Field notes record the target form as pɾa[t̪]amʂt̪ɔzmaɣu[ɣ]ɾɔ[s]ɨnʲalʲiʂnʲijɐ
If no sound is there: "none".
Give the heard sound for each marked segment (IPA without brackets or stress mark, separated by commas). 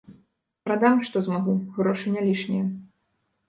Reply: d̪, ɣ, ʂ